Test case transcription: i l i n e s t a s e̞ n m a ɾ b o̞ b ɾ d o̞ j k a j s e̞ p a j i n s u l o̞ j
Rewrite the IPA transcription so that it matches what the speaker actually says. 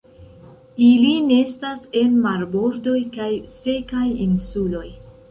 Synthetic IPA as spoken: i l i n e s t a s e̞ n m a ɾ b o̞ ɾ d o̞ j k a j s e̞ k a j i n s u l o̞ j

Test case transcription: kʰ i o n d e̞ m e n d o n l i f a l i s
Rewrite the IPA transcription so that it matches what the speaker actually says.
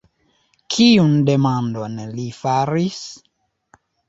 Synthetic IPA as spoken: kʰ i u n d e̞ m a n d o n l i f a ɾ i s

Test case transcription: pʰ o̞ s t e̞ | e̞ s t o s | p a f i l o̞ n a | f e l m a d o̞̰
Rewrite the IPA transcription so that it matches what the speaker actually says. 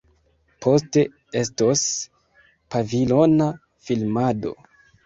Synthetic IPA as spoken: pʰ o̞ s t e̞ | e̞ s t o s | p a v i l o̞ n a | f i l m a d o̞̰

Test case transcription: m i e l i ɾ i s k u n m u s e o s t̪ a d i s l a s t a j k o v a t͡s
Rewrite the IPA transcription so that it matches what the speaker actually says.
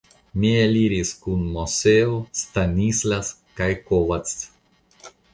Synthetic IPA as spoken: m i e l i ɾ i s k u n m o s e o s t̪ a n i s l a s k a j k o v a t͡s

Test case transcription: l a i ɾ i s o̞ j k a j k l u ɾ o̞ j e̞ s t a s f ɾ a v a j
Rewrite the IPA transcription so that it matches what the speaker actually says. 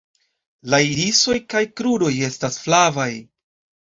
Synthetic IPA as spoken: l a i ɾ i s o̞ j k a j k ɾ u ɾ o̞ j e̞ s t a s f l a v a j

